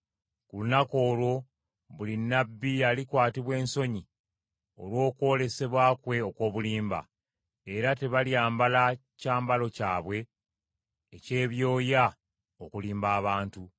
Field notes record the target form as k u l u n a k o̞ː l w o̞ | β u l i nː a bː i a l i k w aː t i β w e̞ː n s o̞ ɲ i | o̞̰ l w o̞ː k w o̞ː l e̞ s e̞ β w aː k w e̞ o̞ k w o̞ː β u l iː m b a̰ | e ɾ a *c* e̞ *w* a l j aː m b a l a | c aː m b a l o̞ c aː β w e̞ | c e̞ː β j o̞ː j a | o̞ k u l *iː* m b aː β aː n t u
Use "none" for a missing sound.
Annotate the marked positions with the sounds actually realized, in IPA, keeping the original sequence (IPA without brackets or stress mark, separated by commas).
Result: t, β, iː